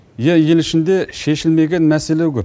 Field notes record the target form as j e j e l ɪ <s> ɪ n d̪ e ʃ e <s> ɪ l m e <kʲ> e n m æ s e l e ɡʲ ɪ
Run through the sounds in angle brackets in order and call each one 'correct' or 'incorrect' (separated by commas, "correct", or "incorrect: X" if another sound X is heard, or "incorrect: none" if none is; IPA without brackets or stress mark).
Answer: incorrect: ʃ, incorrect: ʃ, incorrect: ɡʲ